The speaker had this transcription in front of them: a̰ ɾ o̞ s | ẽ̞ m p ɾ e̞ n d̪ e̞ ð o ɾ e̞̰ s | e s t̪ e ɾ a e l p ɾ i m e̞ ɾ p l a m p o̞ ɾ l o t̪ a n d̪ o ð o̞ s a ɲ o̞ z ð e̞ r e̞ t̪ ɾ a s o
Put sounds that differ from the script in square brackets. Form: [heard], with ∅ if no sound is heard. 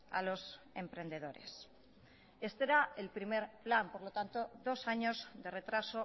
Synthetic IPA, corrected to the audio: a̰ [l] o̞ s | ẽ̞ m p ɾ e̞ n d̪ e̞ ð o ɾ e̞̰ s | e s t̪ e ɾ a e l p ɾ i m e̞ ɾ p l a m p o̞ ɾ l o t̪ a n [t̪] o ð o̞ s a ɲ o̞ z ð e̞ r e̞ t̪ ɾ a s o